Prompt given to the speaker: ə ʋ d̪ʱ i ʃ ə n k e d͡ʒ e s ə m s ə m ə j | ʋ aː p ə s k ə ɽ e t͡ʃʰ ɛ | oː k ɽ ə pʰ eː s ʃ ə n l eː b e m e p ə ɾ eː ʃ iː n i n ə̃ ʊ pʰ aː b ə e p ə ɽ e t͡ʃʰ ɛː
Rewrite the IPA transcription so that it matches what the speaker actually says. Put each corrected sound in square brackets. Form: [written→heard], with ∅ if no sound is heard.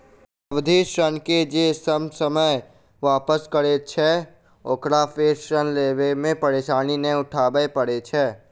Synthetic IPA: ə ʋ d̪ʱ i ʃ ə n k e d͡ʒ e s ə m s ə m ə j | ʋ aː p ə s k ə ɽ e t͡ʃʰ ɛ | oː k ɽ [ə→a] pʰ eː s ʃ ə n l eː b e m [e→ẽ] p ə ɾ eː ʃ [iː→aː] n i n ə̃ ʊ [pʰ→ʈʰ] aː b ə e p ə ɽ e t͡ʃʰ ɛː